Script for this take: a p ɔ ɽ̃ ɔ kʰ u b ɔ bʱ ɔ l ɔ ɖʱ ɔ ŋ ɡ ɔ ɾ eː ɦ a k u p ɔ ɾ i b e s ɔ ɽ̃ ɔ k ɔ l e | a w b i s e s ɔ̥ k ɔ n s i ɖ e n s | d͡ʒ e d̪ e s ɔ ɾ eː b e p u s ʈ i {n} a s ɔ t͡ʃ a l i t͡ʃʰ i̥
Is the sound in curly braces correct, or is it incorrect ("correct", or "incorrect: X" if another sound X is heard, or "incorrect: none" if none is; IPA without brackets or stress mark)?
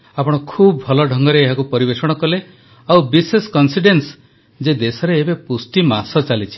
incorrect: m